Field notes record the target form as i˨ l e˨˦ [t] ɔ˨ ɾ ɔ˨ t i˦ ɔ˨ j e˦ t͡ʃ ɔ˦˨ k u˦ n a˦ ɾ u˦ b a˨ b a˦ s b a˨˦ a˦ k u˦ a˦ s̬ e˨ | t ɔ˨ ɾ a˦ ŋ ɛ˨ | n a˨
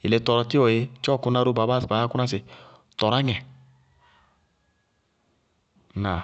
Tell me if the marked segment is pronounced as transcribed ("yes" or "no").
yes